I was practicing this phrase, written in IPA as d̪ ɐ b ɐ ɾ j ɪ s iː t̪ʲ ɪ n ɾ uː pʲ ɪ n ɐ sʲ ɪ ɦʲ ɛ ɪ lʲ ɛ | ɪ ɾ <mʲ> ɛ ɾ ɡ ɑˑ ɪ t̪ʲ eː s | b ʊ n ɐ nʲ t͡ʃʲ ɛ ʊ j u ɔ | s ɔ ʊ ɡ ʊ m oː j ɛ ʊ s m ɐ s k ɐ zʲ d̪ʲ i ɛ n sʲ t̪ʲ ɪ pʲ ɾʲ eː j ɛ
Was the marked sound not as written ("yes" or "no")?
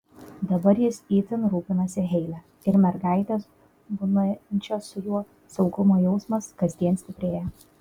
no